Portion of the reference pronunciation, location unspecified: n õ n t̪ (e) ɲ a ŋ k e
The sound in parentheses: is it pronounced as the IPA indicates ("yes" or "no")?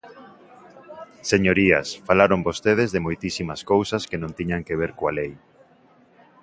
no